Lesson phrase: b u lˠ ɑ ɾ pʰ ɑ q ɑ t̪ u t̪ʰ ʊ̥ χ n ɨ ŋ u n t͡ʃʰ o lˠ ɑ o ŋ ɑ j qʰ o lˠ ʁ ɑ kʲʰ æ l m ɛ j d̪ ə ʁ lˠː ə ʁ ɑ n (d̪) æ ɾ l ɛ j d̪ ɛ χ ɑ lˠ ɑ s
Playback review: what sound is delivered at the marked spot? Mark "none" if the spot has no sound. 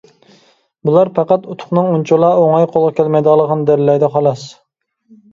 d̪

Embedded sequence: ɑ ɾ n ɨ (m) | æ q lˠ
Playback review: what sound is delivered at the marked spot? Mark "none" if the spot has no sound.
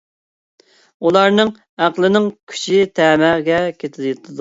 ŋ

